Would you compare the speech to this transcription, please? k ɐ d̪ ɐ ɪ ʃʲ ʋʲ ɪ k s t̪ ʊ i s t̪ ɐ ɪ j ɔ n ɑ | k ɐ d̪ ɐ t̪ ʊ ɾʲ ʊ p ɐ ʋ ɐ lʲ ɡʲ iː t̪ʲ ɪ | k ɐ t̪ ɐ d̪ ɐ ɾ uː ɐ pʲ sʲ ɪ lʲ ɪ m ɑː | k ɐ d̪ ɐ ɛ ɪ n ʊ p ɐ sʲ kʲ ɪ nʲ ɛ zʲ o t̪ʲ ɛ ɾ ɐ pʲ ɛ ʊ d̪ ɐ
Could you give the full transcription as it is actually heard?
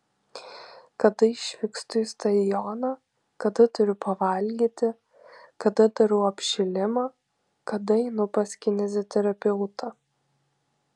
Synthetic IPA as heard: k ɐ d̪ ɐ ɪ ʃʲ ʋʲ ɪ k s t̪ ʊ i s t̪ ɐ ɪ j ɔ n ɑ | k ɐ d̪ ɐ t̪ ʊ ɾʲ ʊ p ɐ ʋ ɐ lʲ ɡʲ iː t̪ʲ ɪ | k ɐ d̪ ɐ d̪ ɐ ɾ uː ɐ pʲ ʃʲ ɪ lʲ ɪ m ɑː | k ɐ d̪ ɐ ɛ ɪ n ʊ p ɐ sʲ kʲ ɪ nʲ ɛ zʲ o t̪ʲ ɛ ɾ ɐ pʲ ɛ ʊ t̪ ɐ

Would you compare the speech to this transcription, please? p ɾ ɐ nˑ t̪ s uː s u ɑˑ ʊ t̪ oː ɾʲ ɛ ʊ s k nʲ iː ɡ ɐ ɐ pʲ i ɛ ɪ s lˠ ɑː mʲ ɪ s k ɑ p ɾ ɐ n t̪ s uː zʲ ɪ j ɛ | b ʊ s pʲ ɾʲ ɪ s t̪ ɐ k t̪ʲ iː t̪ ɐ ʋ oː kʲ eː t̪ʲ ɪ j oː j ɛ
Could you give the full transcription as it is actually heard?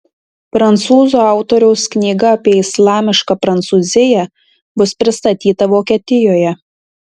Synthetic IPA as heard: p ɾ ɐ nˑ t̪ s uː z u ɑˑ ʊ t̪ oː ɾʲ ɛ ʊ s k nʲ iː ɡ ɐ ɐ pʲ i ɛ ɪ s lˠ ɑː mʲ ɪ ʃ k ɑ p ɾ ɐ n t̪ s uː zʲ ɪ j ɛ | b ʊ s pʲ ɾʲ ɪ s t̪ ɐ t̪ʲ iː t̪ ɐ ʋ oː kʲ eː t̪ʲ ɪ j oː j ɛ

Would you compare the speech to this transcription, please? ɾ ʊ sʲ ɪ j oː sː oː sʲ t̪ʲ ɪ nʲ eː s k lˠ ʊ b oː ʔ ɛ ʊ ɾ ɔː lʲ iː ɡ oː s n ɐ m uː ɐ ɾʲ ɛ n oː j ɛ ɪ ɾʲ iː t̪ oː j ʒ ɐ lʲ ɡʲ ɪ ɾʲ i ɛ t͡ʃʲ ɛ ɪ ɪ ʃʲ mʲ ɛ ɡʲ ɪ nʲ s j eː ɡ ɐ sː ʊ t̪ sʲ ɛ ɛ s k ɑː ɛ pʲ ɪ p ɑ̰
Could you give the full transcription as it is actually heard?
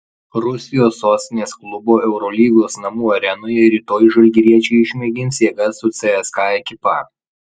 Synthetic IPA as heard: ɾ ʊ sʲ ɪ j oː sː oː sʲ t̪ʲ ɪ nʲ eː s k lˠ ʊ b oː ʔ ɛ ʊ ɾ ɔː lʲ iː ɡ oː s n ɐ m uː ɐ ɾʲ ɛ n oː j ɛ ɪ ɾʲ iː t̪ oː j ʒ ɐ lʲ ɡʲ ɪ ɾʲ i ɛ t͡ʃʲ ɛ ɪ ɪ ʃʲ mʲ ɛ ɡʲ ɪ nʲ s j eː ɡ ɐ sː ʊ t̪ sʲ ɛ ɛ s k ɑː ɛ kʲ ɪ p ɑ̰

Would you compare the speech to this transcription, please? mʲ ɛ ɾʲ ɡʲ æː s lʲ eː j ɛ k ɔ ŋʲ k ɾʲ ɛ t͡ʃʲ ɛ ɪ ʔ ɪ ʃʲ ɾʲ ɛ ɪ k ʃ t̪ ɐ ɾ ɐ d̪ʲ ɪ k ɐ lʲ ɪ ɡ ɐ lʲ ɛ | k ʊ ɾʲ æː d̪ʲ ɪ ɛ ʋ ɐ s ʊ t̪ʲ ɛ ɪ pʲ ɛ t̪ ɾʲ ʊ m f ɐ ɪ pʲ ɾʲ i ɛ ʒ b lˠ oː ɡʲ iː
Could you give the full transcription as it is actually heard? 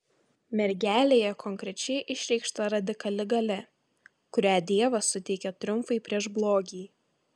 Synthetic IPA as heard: mʲ ɛ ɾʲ ɡʲ æː lʲ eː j ɛ k ɔ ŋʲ k ɾʲ ɛ t͡ʃʲ ɛ ɪ ʔ ɪ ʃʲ ɾʲ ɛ ɪ k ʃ t̪ ɐ ɾ ɐ d̪ʲ ɪ k ɐ lʲ ɪ ɡ ɐ lʲ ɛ | k ʊ ɾʲ æː d̪ʲ i ɛ ʋ ɐ s ʊ t̪ʲ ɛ ɪ kʲ ɛ t̪ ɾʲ ʊ m f ɐ ɪ pʲ ɾʲ i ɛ ʒ b lˠ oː ɡʲ iː

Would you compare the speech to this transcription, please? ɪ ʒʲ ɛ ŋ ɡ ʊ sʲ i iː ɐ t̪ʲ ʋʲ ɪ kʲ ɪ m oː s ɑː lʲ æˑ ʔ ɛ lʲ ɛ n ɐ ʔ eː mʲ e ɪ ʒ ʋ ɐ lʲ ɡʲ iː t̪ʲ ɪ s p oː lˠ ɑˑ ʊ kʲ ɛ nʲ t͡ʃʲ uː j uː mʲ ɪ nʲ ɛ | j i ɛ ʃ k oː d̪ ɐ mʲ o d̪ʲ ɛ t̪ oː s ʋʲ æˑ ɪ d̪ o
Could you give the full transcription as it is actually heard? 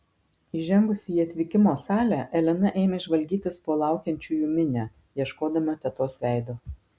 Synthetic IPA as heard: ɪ ʒʲ ɛ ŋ ɡ ʊ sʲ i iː ɐ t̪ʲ ʋʲ ɪ kʲ ɪ m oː s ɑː lʲ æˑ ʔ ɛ lʲ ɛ n ɐ ʔ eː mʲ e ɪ ʒ ʋ ɐ lʲ ɡʲ iː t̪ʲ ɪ s p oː lˠ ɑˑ ʊ kʲ ɛ nʲ t͡ʃʲ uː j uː mʲ ɪ nʲ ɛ | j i ɛ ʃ k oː d̪ ɐ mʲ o t̪ʲ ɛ t̪ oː s ʋʲ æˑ ɪ d̪ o

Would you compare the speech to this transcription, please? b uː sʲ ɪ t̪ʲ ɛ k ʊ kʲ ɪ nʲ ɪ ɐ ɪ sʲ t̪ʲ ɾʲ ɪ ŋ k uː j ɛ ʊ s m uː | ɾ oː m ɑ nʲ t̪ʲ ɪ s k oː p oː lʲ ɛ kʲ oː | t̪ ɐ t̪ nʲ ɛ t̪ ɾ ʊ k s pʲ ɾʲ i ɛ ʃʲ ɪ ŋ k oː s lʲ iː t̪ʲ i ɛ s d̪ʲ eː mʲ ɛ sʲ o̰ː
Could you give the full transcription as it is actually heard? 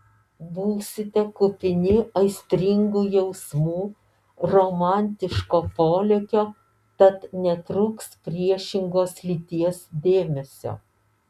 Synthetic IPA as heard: b uː sʲ ɪ t̪ʲ ɛ k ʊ pʲ ɪ nʲ ɪ ɐ ɪ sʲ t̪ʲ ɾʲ ɪ ŋ ɡ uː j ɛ ʊ s m uː | ɾ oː m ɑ nʲ t̪ʲ ɪ ʃ k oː p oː lʲ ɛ kʲ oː | t̪ ɐ t̪ nʲ ɛ t̪ ɾ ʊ k s pʲ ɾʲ i ɛ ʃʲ ɪ ŋ ɡ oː s lʲ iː t̪ʲ i ɛ s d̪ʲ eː mʲ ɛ sʲ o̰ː

